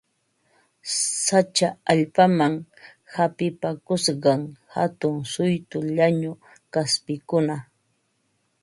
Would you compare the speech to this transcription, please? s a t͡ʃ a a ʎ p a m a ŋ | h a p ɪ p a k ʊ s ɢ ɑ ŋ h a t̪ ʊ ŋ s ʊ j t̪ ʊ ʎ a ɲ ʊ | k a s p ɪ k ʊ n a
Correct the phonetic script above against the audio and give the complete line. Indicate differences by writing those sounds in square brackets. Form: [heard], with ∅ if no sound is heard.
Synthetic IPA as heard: s a t͡ʃ a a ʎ p a m a ŋ | h a p ɪ p a k ʊ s ɢ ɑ ŋ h a t̪ ʊ ŋ s ʊ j t̪ ʊ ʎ a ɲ ʊ | k a s p ɪ k ʊ n a